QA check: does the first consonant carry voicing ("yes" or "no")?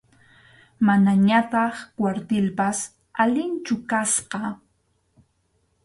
yes